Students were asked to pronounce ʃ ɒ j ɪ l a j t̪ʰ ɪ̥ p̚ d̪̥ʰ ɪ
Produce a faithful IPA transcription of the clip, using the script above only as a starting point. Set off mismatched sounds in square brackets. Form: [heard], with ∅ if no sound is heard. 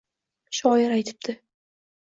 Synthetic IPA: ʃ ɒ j ɪ [ɾ] a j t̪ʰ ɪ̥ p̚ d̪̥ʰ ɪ